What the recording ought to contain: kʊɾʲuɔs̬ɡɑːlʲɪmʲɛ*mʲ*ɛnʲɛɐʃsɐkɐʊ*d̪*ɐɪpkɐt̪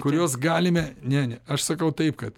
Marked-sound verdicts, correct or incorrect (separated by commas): incorrect, incorrect